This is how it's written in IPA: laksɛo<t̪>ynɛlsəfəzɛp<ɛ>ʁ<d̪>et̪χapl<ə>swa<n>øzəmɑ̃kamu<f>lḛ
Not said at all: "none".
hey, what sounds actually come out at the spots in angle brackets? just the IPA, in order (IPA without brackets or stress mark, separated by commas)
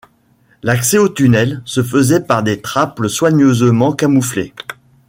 t̪, a, d̪, ə, ɲ, f